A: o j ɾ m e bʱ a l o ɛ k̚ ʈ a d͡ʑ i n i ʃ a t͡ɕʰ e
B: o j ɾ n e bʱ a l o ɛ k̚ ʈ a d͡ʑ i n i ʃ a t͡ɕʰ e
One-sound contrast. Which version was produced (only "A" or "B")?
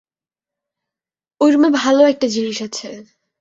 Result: A